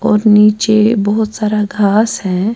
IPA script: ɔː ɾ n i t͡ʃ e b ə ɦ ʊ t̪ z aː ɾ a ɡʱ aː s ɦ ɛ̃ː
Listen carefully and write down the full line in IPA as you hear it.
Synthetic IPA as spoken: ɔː ɾ n iː t͡ʃ e b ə ɦ ʊ t̪ s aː ɾ a ɡʱ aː s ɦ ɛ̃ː